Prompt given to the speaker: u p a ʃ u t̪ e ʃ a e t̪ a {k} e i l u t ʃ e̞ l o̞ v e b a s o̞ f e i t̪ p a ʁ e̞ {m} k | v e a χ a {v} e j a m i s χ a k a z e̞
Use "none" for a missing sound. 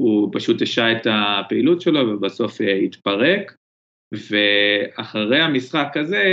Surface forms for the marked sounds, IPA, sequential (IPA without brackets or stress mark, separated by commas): p, none, ʁ